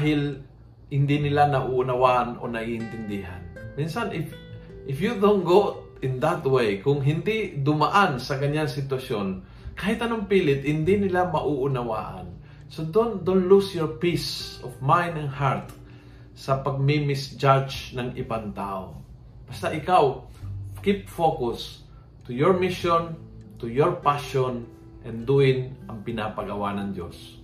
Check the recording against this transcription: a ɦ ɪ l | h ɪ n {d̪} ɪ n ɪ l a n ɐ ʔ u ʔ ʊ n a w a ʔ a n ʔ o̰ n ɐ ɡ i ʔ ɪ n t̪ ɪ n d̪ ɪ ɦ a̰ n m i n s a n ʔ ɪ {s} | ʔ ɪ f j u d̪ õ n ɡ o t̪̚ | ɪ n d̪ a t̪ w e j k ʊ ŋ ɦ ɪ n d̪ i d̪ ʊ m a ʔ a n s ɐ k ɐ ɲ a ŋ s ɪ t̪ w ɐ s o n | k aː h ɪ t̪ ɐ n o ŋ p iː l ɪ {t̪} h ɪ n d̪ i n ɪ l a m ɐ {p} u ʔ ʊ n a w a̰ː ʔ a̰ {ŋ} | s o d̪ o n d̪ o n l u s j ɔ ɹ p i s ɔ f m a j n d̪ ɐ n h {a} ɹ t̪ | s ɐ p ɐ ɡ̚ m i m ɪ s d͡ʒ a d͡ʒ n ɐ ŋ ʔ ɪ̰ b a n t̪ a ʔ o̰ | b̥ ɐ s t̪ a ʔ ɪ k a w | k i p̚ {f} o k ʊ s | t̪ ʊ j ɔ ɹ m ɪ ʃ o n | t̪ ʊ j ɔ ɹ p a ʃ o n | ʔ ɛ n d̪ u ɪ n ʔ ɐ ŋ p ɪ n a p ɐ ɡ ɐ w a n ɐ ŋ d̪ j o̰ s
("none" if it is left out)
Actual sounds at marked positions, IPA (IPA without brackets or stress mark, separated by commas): d̪, f, t̪, ʔ, n, a, f